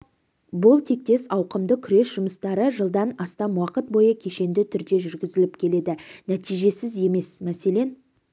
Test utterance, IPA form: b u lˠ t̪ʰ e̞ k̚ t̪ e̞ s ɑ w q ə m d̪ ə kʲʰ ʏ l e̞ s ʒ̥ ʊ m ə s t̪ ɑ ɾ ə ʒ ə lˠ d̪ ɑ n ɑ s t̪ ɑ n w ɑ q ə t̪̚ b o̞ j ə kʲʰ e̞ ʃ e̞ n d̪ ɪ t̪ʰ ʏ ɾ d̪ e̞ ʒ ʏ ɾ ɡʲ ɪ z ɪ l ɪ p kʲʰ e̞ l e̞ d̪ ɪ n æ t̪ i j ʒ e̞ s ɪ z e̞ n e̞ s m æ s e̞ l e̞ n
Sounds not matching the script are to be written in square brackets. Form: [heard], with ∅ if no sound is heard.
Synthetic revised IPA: b [ʊ] lˠ t̪ʰ e̞ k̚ t̪ e̞ s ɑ w q ə m d̪ ə kʲʰ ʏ [ɾ] e̞ s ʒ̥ ʊ m ə s t̪ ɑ ɾ ə ʒ ə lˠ d̪ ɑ n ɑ s t̪ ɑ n w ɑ q ə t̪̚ b o̞ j ə kʲʰ e̞ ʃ e̞ n d̪ ɪ t̪ʰ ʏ ɾ d̪ e̞ ʒ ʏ ɾ ɡʲ ɪ z ɪ l ɪ p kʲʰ e̞ l e̞ d̪ ɪ n æ t̪ i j ʒ e̞ s ɪ z e̞ [m] e̞ s m æ s e̞ l e̞ n

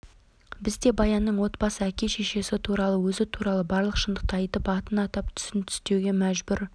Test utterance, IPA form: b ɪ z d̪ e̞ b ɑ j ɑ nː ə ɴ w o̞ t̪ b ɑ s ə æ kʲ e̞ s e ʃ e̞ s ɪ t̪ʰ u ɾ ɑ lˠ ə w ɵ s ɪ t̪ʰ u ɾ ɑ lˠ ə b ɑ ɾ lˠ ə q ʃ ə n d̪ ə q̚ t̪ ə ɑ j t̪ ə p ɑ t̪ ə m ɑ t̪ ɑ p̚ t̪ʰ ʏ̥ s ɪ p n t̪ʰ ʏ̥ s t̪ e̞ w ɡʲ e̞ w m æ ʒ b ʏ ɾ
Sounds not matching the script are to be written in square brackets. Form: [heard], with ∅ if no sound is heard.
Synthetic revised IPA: b ɪ z d̪ e̞ b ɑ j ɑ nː ə ɴ w o̞ t̪ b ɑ s ə æ kʲ e̞ [ʃ] e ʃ e̞ s ɪ t̪ʰ u ɾ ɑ lˠ ə w ɵ [z] ɪ t̪ʰ u ɾ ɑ lˠ ə b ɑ ɾ lˠ ə q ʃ ə n d̪ ə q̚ t̪ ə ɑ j t̪ ə p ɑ t̪ ə [n] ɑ t̪ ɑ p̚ t̪ʰ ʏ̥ s ɪ [∅] n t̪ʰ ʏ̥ s t̪ e̞ w ɡʲ e̞ [∅] m æ ʒ b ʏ ɾ

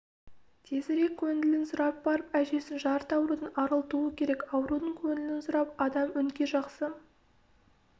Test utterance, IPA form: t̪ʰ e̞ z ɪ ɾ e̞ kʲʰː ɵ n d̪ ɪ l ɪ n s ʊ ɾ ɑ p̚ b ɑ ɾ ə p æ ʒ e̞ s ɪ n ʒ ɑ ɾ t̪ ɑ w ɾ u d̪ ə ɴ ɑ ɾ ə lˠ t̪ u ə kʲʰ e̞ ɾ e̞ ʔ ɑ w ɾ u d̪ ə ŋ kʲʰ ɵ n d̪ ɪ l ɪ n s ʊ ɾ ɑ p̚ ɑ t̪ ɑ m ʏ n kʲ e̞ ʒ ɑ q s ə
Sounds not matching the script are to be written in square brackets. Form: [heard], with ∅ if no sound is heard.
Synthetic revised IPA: t̪ʰ e̞ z ɪ ɾ e̞ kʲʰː ɵ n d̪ ɪ l ɪ n s ʊ ɾ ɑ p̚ b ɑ ɾ ə p æ ʒ e̞ s ɪ n ʒ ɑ ɾ t̪ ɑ w ɾ u d̪ ə [n] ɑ ɾ ə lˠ t̪ u ə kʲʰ e̞ ɾ e̞ [k] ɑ w ɾ u d̪ ə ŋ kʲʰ ɵ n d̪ ɪ l ɪ n s ʊ ɾ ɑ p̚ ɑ [d̪] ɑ m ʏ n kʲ e̞ ʒ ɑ q s ə

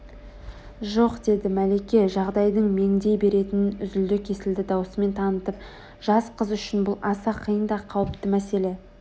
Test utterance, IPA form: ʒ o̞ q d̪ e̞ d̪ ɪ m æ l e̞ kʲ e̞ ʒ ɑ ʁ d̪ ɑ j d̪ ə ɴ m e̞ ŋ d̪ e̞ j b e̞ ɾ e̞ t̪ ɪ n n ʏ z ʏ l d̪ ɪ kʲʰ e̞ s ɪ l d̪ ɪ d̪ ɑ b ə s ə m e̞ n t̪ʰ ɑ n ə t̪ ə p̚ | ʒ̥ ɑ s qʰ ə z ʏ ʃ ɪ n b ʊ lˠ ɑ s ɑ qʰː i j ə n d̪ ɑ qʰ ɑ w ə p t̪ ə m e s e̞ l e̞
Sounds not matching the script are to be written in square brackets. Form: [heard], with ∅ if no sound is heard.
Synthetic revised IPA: ʒ o̞ q d̪ e̞ d̪ ɪ m æ l e̞ kʲ e̞ ʒ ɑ ʁ d̪ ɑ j d̪ ə ɴ m e̞ ŋ d̪ e̞ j b e̞ ɾ e̞ t̪ ɪ n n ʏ z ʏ l d̪ ɪ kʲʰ e̞ s ɪ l d̪ ɪ d̪ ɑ [w] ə s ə m e̞ n t̪ʰ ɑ n ə t̪ ə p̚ | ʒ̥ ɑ s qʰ ə z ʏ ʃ ɪ n b ʊ lˠ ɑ s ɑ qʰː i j ə n d̪ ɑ qʰ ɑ w ə p t̪ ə m [æ] s e̞ l e̞

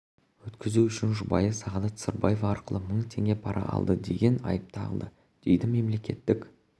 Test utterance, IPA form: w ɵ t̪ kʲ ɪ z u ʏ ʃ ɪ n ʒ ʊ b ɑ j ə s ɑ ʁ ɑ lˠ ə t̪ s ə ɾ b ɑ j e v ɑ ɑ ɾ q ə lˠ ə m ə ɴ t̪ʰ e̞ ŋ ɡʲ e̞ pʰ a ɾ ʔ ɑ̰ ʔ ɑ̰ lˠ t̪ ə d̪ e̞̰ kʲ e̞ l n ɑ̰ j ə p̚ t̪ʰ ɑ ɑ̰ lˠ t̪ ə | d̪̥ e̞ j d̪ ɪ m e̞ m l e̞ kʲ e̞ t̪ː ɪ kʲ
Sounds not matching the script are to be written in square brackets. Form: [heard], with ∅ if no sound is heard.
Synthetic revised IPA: w ɵ t̪ kʲ ɪ z u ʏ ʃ ɪ n ʒ ʊ b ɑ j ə s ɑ ʁ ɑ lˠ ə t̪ s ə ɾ b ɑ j e v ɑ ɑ ɾ q ə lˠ ə m ə ɴ t̪ʰ e̞ ŋ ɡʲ e̞ pʰ [ɑ] ɾ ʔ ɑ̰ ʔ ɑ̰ lˠ [d̪] ə d̪ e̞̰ [ɡʲ] e̞ [∅] n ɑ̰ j ə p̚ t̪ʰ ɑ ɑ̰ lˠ [d̪] ə | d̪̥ e̞ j d̪ ɪ m e̞ m l e̞ kʲ e̞ t̪ː ɪ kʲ

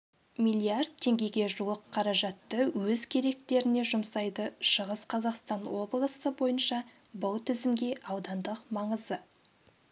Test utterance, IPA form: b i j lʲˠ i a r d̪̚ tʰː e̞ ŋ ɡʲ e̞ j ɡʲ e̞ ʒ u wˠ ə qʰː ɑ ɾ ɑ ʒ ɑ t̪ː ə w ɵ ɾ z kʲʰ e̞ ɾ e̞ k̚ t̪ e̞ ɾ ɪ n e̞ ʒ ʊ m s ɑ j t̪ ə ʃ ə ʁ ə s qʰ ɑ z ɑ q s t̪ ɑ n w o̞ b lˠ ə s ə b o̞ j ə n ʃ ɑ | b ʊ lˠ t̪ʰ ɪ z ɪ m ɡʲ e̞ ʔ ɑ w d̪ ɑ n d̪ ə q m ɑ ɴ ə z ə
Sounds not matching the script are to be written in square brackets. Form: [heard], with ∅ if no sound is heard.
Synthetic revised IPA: [m] i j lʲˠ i a r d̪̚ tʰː e̞ ŋ ɡʲ e̞ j ɡʲ e̞ ʒ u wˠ ə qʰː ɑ ɾ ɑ ʒ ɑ t̪ː ə w ɵ [∅] z kʲʰ e̞ ɾ e̞ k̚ t̪ e̞ ɾ ɪ n e̞ ʒ ʊ m s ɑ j [d̪] ə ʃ ə ʁ ə s qʰ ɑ z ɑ q s t̪ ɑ n w o̞ b lˠ ə s ə b o̞ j ə n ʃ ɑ | b ʊ lˠ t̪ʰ ɪ z ɪ m ɡʲ e̞ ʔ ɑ w d̪ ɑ n d̪ ə q m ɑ ɴ ə z ə

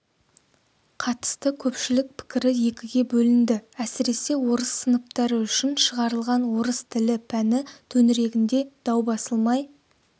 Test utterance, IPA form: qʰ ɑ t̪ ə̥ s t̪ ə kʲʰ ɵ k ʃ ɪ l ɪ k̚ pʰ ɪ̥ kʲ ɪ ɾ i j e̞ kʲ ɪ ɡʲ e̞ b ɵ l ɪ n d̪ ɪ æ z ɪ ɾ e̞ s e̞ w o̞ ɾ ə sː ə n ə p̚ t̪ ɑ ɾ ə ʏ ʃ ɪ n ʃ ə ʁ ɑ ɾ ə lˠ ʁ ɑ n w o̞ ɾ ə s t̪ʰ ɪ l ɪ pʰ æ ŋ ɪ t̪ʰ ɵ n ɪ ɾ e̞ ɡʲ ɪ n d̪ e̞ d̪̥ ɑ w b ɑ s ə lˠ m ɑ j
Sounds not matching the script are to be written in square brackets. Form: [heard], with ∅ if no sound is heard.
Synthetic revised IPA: qʰ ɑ t̪ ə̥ s t̪ ə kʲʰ ɵ [p] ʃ ɪ l ɪ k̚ pʰ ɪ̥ kʲ ɪ ɾ [ɪ] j e̞ kʲ ɪ ɡʲ e̞ b ɵ l ɪ n d̪ ɪ æ [s] ɪ ɾ e̞ s e̞ w o̞ ɾ ə sː ə n ə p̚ t̪ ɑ ɾ ə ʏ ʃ ɪ n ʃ ə ʁ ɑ ɾ ə lˠ ʁ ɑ n w o̞ ɾ ə s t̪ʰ ɪ l ɪ pʰ æ [n] ɪ t̪ʰ ɵ n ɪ ɾ e̞ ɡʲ ɪ n d̪ e̞ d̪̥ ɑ w b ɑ s ə lˠ m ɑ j

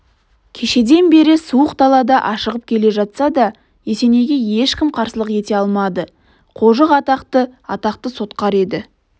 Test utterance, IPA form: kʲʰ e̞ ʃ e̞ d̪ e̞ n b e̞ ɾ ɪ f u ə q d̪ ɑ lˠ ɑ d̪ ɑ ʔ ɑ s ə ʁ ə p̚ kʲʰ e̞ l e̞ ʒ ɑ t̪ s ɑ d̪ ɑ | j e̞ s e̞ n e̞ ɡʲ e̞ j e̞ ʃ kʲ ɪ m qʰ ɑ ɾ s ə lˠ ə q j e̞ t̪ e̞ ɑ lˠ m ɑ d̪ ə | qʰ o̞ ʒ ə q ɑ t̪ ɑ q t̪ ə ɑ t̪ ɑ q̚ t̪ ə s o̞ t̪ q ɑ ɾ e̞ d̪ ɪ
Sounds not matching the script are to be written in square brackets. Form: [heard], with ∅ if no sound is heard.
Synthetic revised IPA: kʲʰ e̞ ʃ e̞ d̪ e̞ n b e̞ ɾ ɪ [s] u ə q d̪ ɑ lˠ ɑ d̪ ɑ ʔ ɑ [ʃ] ə ʁ ə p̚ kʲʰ e̞ l e̞ ʒ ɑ t̪ s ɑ d̪ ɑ | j e̞ s e̞ n e̞ ɡʲ e̞ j e̞ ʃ kʲ ɪ m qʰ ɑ ɾ s ə lˠ ə q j e̞ t̪ e̞ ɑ lˠ m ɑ d̪ ə | qʰ o̞ ʒ ə q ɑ t̪ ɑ q t̪ ə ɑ t̪ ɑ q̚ t̪ ə s o̞ t̪ q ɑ ɾ e̞ d̪ ɪ

